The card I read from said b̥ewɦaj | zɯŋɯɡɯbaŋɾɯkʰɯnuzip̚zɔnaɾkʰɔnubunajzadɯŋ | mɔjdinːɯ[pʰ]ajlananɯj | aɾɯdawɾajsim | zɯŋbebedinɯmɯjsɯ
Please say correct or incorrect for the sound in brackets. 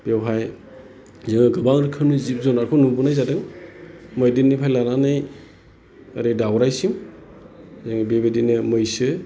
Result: correct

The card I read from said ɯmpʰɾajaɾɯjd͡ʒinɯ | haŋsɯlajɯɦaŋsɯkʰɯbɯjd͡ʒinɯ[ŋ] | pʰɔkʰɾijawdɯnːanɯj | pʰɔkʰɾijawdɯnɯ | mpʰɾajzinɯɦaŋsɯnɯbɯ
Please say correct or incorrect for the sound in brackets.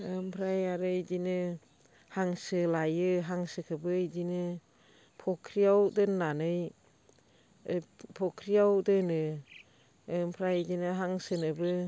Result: incorrect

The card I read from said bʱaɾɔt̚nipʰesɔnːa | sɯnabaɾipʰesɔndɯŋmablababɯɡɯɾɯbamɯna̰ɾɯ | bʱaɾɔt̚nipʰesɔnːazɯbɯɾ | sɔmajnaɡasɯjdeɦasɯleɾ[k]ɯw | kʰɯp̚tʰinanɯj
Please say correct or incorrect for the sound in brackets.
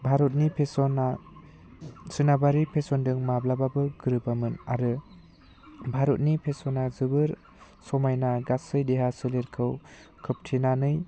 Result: incorrect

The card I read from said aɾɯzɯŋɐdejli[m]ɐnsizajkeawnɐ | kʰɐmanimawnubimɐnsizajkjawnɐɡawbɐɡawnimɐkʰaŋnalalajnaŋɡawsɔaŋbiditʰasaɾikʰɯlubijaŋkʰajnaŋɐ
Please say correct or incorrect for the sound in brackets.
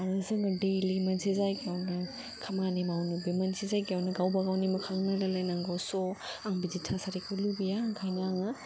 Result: correct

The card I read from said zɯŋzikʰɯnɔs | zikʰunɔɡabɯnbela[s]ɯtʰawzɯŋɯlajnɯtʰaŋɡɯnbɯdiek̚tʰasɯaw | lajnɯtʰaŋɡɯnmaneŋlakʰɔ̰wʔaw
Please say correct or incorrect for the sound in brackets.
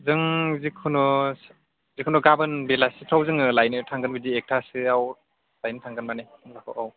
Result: correct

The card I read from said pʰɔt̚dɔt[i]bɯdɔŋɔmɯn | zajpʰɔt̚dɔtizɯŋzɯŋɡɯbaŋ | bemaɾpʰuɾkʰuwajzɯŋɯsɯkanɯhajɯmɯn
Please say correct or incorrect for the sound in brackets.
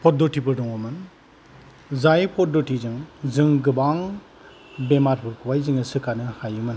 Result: correct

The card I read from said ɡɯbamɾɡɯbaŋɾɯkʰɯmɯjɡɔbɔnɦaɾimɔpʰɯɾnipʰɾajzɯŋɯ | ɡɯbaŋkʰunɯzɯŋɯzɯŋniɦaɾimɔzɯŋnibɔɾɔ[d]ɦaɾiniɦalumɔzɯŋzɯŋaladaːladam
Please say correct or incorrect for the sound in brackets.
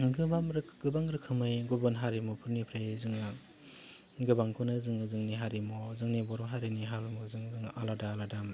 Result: incorrect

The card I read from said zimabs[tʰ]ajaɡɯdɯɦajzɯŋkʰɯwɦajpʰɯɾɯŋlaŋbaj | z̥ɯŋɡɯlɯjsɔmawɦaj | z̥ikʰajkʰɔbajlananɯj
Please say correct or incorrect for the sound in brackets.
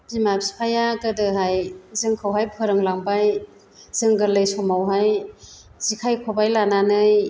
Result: incorrect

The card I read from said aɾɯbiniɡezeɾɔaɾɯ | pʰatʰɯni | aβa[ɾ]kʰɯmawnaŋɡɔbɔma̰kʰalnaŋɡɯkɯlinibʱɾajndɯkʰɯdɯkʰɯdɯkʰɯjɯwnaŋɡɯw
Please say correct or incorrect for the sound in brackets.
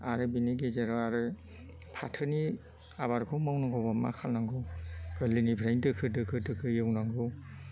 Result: correct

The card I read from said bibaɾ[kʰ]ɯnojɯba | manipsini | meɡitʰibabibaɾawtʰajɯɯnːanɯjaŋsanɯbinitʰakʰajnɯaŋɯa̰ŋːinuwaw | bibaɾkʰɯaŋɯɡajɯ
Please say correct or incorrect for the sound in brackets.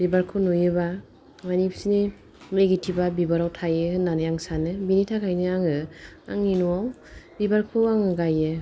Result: correct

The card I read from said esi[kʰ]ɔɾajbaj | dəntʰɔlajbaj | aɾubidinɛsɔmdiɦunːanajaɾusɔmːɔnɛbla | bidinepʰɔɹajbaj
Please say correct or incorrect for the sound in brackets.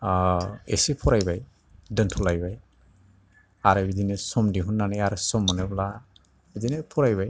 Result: incorrect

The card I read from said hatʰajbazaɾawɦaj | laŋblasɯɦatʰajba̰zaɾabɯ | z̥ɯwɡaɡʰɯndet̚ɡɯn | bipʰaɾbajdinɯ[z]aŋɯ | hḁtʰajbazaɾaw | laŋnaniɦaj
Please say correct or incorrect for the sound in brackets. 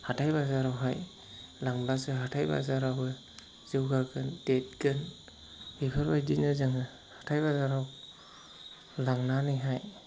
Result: correct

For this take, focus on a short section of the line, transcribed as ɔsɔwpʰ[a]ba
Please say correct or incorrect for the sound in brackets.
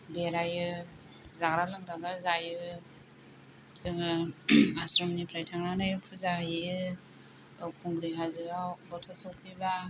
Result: incorrect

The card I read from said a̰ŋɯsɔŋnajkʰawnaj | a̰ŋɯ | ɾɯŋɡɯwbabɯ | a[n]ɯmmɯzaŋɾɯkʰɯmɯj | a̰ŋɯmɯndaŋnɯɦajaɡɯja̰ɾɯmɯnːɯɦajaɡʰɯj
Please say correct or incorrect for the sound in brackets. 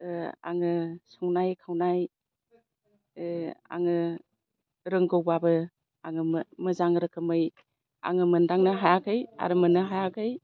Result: incorrect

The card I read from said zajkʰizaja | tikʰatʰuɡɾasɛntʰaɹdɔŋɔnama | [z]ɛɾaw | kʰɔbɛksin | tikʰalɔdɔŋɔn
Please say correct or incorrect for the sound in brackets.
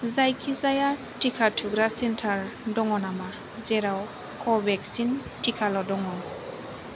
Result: correct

